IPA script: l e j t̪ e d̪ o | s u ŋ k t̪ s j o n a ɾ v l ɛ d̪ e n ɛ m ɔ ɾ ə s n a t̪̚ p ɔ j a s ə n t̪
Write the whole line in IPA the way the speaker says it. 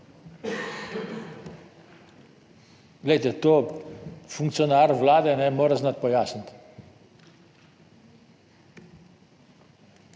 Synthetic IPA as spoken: l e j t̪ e t̪ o | f u ŋ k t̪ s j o n a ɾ v l a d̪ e n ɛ m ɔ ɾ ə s n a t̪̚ p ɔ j a s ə n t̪